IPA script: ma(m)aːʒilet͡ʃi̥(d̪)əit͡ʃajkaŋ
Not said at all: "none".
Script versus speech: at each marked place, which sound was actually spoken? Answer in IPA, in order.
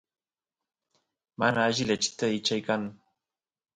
n, t̪

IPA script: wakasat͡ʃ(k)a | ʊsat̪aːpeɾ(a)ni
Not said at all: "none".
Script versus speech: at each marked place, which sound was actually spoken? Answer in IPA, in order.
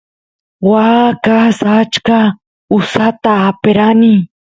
k, a

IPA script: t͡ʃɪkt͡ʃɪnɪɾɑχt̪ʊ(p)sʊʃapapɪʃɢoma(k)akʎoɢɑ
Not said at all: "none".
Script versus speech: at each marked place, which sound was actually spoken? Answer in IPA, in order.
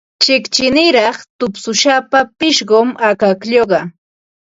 p, k

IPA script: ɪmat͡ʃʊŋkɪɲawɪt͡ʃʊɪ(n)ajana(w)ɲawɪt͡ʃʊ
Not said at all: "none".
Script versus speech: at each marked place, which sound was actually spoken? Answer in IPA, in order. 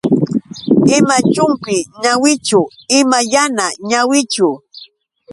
m, none

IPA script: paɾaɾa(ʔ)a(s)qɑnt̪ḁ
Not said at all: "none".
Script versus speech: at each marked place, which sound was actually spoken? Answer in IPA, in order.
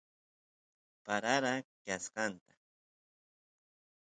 k, s

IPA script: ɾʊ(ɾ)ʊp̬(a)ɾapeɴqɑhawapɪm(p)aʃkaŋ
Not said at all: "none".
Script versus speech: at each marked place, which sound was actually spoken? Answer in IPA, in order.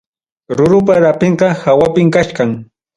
ɾ, a, k

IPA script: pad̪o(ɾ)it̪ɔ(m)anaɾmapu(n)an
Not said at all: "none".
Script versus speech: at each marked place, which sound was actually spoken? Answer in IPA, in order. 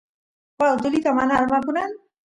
l, m, n

